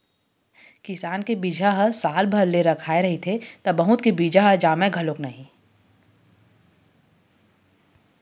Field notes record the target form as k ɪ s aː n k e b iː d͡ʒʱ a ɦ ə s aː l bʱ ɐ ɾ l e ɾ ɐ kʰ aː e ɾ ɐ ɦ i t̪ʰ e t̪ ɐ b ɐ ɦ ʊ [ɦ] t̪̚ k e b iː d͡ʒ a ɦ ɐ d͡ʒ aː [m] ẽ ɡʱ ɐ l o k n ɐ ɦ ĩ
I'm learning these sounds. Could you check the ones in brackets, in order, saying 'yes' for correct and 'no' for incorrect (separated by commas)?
no, yes